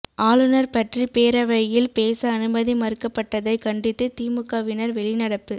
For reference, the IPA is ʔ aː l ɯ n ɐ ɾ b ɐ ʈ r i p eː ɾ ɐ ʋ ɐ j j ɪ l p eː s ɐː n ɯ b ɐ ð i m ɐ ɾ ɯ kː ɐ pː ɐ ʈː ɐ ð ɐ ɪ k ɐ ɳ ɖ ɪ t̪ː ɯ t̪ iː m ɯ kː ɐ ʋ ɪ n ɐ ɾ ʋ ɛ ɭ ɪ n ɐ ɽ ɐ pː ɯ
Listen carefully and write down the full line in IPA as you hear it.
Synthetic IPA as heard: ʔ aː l ɯ n ɐ ɾ p ɐ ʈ r i p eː ɾ ɐ ʋ ɐ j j ɪ l p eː s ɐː n ɯ b ɐ ð i m ɐ ɾ ɯ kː ɐ pː ɐ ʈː ɐ ð ɐ ɪ k ɐ ɳ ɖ ɪ t̪ː ɯ t̪ iː m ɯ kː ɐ ʋ ɪ n ɐ ɾ ʋ ɛ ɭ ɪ n ɐ ɽ ɐ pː ɯ